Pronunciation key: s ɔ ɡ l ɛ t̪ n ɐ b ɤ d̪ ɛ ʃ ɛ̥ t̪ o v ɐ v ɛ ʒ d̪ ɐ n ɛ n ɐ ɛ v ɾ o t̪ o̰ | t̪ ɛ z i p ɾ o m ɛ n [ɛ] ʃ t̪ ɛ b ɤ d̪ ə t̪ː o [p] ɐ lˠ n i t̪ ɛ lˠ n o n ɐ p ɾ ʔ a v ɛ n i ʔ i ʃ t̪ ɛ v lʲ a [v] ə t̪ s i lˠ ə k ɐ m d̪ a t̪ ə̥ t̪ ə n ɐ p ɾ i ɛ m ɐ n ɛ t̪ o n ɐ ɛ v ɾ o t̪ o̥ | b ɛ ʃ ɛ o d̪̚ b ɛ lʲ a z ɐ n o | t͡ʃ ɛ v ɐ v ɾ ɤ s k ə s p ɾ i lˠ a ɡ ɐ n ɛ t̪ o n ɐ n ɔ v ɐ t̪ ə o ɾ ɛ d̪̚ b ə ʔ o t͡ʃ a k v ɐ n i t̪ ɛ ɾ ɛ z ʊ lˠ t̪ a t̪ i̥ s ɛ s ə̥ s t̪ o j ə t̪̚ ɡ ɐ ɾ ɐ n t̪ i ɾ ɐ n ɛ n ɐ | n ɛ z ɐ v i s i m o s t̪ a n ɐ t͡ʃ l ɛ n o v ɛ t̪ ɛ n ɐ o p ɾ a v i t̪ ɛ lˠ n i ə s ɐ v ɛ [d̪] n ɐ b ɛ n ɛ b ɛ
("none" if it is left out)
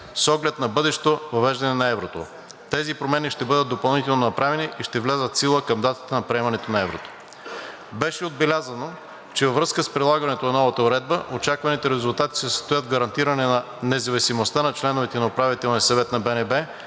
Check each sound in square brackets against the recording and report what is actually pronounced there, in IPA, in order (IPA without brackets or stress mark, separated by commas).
i, p, z, t̪